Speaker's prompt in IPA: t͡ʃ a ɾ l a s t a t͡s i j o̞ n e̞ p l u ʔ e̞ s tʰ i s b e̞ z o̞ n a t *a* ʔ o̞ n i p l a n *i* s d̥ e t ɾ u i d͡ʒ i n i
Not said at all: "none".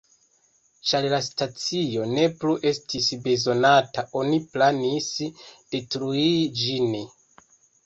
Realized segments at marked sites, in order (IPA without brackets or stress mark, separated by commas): a, i